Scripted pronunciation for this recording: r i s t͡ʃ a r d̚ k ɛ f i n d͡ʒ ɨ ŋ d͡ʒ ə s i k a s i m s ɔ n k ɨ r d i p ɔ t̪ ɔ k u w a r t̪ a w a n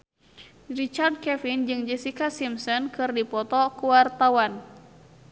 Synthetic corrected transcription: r i t͡ʃ a r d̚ k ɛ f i n d͡ʒ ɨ ŋ d͡ʒ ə s i k a s i m s ɔ n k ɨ r d i p ɔ t̪ ɔ k u w a r t̪ a w a n

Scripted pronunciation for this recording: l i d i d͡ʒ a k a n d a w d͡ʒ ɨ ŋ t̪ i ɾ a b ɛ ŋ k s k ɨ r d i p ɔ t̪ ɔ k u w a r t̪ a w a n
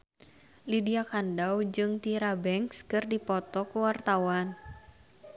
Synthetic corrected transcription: l i d i a k a n d a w d͡ʒ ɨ ŋ t̪ i ɾ a b ɛ ŋ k s k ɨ r d i p ɔ t̪ ɔ k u w a r t̪ a w a n

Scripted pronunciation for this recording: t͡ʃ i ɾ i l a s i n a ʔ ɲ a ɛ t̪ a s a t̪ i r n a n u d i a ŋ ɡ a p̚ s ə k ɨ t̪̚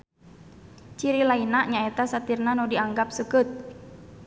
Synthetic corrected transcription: t͡ʃ i ɾ i l a i n a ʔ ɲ a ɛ t̪ a s a t̪ i r n a n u d i a ŋ ɡ a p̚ s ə k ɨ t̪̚

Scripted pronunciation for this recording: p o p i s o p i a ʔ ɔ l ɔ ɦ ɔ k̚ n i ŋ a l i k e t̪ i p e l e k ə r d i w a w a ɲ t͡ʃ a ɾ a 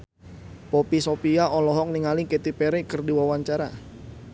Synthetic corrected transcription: p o p i s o p i a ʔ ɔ l ɔ ɦ ɔ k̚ n i ŋ a l i k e t̪ i p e ɾ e k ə r d i w a w a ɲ t͡ʃ a ɾ a

